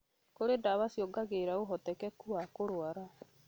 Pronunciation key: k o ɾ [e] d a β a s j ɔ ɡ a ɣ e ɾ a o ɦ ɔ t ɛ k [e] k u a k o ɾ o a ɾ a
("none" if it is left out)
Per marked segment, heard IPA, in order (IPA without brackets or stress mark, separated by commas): e, ɛ